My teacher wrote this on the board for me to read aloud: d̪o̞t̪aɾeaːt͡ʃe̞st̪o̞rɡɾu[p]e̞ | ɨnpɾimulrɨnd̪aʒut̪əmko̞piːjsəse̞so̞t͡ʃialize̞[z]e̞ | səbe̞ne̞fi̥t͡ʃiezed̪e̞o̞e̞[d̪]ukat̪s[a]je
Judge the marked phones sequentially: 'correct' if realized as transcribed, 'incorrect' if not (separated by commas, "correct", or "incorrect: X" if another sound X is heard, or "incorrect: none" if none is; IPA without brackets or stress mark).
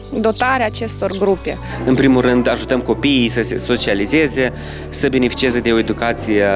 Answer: correct, correct, correct, incorrect: i